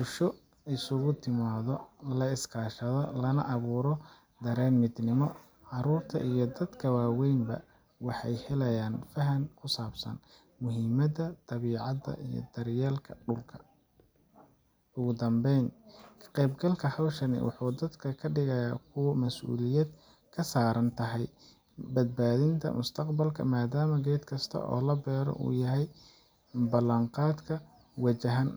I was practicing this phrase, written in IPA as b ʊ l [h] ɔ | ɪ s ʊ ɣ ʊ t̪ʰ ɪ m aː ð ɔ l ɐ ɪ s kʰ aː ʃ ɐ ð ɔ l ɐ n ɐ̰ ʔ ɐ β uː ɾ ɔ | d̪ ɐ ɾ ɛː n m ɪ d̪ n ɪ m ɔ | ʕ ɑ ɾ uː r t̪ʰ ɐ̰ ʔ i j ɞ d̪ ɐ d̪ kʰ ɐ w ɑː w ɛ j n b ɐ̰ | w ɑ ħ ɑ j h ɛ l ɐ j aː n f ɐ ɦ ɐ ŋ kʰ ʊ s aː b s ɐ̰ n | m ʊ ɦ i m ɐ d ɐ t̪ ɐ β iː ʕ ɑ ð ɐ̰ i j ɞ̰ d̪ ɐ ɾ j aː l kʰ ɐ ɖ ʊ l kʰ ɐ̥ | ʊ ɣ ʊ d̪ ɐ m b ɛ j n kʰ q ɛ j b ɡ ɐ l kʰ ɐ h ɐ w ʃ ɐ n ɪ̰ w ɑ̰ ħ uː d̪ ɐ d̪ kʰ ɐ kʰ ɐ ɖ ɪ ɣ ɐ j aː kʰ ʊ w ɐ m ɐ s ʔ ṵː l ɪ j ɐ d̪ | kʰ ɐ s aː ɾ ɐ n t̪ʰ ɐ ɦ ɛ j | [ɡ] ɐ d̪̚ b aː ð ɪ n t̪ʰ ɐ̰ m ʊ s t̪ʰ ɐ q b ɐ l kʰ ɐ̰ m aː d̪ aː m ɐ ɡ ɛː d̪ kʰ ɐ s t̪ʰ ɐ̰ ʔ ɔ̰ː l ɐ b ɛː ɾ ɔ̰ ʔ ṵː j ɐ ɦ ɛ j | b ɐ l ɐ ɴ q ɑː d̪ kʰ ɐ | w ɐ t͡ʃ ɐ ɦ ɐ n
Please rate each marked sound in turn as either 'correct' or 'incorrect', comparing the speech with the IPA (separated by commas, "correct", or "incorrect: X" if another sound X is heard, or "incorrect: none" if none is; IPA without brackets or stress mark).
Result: incorrect: ʃ, incorrect: b